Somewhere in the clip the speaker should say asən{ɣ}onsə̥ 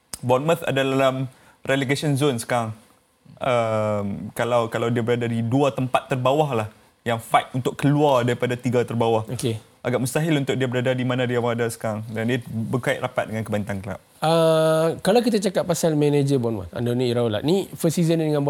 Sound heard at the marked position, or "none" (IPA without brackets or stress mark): z